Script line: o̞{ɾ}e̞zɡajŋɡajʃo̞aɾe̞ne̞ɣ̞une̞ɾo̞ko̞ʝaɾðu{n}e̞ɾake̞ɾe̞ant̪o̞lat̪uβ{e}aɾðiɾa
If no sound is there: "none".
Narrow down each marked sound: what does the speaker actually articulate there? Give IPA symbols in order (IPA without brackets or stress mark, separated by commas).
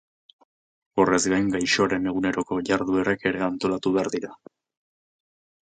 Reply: r, none, e